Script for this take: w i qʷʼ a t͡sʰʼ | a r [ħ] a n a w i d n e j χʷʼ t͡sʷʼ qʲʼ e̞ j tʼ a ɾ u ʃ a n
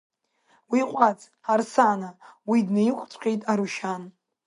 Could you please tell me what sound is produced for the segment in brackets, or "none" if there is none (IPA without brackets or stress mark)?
s